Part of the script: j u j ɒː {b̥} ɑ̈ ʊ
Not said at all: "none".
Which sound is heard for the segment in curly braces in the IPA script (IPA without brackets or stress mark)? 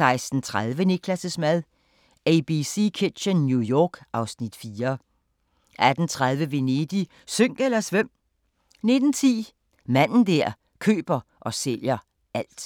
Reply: ɡ̥